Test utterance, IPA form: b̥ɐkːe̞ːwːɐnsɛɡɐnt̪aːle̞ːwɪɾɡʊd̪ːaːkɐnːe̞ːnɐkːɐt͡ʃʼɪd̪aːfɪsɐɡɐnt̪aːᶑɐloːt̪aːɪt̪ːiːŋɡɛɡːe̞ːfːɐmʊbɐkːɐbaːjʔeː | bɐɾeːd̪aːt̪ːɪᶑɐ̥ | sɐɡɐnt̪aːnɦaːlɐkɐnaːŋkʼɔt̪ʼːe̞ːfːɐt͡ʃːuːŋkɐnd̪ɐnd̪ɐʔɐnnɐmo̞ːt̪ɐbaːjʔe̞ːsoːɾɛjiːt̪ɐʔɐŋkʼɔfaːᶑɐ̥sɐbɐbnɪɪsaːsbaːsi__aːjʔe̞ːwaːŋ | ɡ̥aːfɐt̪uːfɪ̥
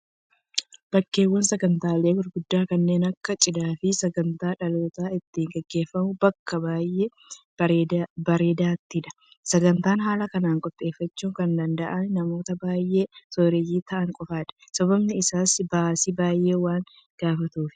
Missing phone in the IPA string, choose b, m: b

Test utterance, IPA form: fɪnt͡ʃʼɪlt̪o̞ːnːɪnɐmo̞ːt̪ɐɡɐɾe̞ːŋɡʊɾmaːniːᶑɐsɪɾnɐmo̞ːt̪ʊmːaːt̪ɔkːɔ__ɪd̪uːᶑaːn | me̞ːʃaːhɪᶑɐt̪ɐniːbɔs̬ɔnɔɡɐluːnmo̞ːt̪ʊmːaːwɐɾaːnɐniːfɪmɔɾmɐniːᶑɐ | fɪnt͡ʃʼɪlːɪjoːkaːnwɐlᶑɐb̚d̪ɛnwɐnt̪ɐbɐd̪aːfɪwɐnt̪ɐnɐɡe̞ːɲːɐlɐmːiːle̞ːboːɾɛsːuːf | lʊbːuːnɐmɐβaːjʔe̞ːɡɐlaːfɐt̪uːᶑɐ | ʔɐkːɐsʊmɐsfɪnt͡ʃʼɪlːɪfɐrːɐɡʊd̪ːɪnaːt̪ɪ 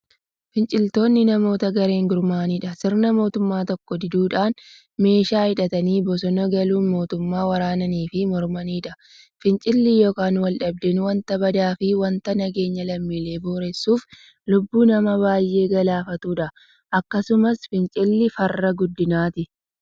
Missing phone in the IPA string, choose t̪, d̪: d̪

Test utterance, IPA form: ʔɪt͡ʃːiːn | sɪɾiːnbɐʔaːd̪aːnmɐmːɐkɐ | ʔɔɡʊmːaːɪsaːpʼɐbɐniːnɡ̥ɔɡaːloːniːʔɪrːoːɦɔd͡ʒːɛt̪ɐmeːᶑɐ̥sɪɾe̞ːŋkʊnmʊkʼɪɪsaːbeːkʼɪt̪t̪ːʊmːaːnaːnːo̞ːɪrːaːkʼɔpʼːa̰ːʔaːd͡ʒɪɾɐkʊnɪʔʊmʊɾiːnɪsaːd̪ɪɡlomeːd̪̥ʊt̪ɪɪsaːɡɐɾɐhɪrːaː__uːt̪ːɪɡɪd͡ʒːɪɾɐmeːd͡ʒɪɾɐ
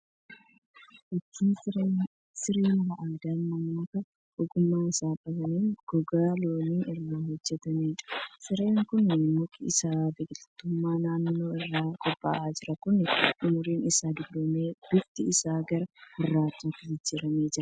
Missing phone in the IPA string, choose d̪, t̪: t̪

